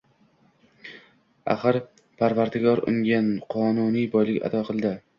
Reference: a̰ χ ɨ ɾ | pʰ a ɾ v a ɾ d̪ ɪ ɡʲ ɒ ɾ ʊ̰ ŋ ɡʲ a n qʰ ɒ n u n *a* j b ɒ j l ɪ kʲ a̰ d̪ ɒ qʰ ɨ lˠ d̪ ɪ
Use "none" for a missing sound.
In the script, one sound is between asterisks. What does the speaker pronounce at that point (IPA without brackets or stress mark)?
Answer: i